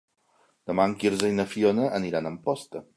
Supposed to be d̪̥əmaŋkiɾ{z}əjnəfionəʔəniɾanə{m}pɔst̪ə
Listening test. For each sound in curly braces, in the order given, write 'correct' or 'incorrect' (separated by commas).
correct, correct